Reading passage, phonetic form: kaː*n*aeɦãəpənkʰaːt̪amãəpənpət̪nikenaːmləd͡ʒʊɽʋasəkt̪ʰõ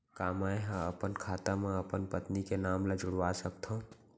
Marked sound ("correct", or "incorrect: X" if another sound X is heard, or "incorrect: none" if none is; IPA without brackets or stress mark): incorrect: m